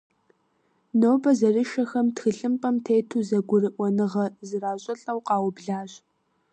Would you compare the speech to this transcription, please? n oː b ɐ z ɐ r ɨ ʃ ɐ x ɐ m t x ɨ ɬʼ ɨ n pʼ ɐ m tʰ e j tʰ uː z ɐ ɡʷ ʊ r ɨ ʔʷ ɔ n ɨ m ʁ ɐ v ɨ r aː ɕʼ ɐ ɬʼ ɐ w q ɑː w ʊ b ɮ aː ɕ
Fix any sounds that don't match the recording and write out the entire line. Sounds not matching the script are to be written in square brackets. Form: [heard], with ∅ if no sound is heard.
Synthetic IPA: n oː b ɐ z ɐ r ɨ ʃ ɐ x ɐ m t x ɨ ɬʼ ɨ [m] pʼ ɐ m tʰ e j tʰ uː z ɐ ɡʷ ʊ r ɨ ʔʷ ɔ n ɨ [∅] ʁ ɐ [z] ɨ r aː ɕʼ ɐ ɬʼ ɐ w q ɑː w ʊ b ɮ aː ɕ

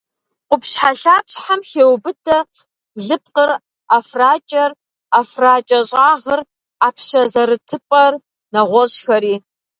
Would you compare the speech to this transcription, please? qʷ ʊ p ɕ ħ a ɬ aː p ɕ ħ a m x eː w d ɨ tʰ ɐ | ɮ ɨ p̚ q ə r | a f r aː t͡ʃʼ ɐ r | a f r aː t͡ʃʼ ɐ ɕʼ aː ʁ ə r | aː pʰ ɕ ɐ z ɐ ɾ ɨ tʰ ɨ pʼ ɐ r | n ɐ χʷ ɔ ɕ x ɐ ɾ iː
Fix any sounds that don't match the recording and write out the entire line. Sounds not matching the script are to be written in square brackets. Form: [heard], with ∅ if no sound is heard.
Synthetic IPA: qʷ ʊ p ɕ ħ a ɬ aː p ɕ ħ a m x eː w [b] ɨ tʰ ɐ | ɮ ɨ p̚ q ə r | a f r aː t͡ʃʼ ɐ r | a f r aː t͡ʃʼ ɐ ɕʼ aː ʁ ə r | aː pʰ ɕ ɐ z ɐ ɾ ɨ tʰ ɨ pʼ ɐ r | n ɐ [ʁʷ] ɔ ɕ x ɐ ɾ iː

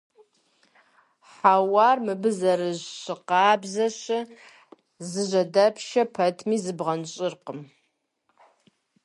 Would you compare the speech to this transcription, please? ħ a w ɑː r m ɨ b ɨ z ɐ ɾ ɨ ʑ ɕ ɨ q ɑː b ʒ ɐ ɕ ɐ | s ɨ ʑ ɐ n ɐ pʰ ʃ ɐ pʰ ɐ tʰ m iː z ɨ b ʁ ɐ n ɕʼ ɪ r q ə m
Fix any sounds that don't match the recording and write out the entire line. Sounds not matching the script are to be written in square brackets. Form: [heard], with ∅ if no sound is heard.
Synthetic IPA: ħ a w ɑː r m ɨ b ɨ z ɐ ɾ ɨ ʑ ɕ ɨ q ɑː b [z] ɐ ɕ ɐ | [z] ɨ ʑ ɐ [d] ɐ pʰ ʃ ɐ pʰ ɐ tʰ m iː z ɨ b ʁ ɐ n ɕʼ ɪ r q ə m

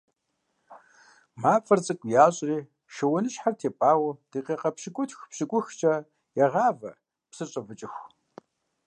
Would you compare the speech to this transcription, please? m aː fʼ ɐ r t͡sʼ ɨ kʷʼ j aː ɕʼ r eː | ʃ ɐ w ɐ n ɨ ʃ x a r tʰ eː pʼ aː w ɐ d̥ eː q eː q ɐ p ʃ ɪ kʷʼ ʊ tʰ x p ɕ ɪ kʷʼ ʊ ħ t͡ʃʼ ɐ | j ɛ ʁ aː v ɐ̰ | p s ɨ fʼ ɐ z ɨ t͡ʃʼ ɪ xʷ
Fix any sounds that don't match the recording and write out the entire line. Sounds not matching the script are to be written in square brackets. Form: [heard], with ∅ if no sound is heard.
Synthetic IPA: m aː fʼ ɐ r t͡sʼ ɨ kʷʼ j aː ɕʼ r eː | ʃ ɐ w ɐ n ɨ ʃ [ħ] a r tʰ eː pʼ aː w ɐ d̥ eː q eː q ɐ p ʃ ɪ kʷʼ ʊ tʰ x p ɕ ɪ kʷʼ ʊ [x] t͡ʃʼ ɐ | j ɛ ʁ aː v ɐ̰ | p s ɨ [ɕʼ] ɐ [v] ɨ t͡ʃʼ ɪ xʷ

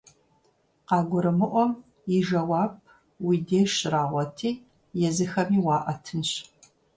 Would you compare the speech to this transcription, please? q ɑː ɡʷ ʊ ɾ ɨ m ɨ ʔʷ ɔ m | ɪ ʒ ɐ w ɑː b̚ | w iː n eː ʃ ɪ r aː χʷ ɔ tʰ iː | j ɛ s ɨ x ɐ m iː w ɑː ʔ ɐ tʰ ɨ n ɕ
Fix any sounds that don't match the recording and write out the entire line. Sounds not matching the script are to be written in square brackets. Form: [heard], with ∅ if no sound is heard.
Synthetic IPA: q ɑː ɡʷ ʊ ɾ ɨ m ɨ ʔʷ ɔ m | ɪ ʒ ɐ w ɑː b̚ | w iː [d] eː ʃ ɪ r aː [ʁʷ] ɔ tʰ iː | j ɛ [z] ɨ x ɐ m iː w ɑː ʔ ɐ tʰ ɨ n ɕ

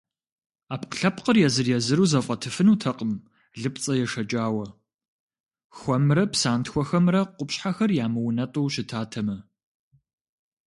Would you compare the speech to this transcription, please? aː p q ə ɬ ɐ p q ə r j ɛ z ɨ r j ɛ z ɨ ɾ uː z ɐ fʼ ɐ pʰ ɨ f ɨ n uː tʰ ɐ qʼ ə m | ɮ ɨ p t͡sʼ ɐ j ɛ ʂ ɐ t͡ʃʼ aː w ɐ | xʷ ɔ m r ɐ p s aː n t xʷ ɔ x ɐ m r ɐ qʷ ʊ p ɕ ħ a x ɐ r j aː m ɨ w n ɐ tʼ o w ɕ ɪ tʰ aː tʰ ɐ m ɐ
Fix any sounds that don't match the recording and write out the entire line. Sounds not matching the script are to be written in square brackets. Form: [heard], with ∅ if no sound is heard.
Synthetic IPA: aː p q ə ɬ ɐ p q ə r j ɛ z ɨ r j ɛ z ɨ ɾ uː z ɐ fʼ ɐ [tʰ] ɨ f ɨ n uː tʰ ɐ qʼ ə m | ɮ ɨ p t͡sʼ ɐ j ɛ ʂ ɐ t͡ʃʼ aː w ɐ | xʷ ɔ m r ɐ p s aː n t xʷ ɔ x ɐ m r ɐ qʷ ʊ p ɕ ħ a x ɐ r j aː m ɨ w n ɐ tʼ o w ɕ ɪ tʰ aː tʰ ɐ m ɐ

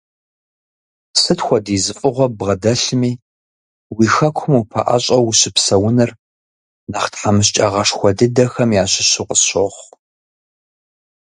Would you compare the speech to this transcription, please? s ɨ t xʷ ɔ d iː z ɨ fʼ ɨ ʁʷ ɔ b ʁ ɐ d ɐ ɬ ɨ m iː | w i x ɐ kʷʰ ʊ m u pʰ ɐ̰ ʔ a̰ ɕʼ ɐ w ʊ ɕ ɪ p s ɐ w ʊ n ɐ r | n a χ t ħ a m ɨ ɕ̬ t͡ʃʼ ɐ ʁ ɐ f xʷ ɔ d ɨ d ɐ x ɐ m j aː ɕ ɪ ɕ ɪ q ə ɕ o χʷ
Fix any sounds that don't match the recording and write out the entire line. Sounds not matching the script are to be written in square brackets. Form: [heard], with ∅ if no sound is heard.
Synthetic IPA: s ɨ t xʷ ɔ d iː z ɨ fʼ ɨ ʁʷ ɔ b ʁ ɐ d ɐ ɬ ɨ m iː | w i x ɐ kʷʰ ʊ m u pʰ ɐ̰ ʔ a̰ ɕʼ ɐ w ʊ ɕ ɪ p s ɐ w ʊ n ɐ r | n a χ t ħ a m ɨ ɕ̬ t͡ʃʼ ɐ ʁ ɐ [ʂ] xʷ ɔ d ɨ d ɐ x ɐ m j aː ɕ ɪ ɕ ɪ q ə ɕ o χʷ

